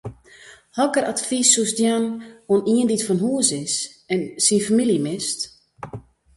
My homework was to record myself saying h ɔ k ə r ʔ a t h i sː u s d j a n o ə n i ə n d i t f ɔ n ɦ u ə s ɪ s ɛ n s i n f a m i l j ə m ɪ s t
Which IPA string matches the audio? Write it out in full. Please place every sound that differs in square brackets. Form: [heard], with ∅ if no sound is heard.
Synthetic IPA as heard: h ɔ k ə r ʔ a t [f] i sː u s d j a n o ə n i ə n d i t f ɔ n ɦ u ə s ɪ s ɛ n s i n f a m i l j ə m ɪ s t